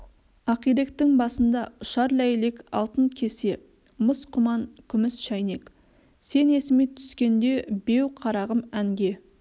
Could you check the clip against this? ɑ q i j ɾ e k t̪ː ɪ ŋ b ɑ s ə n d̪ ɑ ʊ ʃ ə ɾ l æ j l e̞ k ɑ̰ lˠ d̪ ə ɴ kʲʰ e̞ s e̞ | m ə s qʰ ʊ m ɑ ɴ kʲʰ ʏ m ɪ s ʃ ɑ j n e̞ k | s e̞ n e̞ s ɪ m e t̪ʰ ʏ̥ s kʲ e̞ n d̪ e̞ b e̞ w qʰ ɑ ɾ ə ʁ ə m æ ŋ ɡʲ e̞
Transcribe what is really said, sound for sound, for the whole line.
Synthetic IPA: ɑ q i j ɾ e k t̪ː ɪ ŋ b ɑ s ə n d̪ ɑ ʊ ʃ ɑ ɾ l æ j l e̞ k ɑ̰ lˠ t̪ ə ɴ kʲʰ e̞ s e̞ | m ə s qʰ ʊ m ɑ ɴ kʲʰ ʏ m ɪ s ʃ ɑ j n e̞ k | s e̞ n e̞ s ɪ m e t̪ʰ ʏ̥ s kʲ e̞ n d̪ e̞ b e̞ w qʰ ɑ ɾ ɑ ʁ ə m æ ŋ ɡʲ e̞